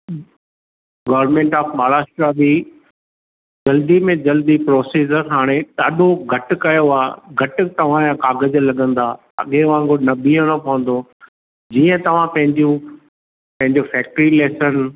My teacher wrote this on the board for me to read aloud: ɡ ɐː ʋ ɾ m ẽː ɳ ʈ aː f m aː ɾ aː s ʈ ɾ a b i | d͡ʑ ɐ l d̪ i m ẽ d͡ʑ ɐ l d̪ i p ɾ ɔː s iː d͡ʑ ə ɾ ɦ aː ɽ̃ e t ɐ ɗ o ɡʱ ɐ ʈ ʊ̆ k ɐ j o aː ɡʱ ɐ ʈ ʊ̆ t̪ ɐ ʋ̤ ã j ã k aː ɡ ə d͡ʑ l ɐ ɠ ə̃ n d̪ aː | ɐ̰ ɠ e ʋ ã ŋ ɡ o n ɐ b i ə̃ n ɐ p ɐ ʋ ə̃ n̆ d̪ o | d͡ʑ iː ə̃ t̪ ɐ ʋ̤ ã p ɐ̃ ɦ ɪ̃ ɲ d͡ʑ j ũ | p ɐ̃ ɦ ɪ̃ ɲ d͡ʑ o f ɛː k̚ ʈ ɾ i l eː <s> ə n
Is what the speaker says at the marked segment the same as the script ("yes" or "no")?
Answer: yes